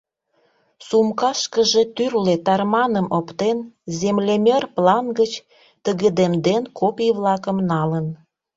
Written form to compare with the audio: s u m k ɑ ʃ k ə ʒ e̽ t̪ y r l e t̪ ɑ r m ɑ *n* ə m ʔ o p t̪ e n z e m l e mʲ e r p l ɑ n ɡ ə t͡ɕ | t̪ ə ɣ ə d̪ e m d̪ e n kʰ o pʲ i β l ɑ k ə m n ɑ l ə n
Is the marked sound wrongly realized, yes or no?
no